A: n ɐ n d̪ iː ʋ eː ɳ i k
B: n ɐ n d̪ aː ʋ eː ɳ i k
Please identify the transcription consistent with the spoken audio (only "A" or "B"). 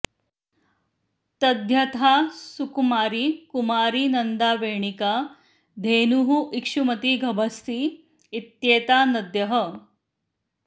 B